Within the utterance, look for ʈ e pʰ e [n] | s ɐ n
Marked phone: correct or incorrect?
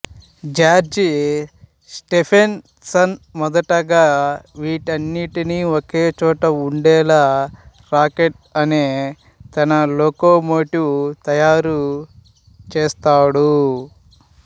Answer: correct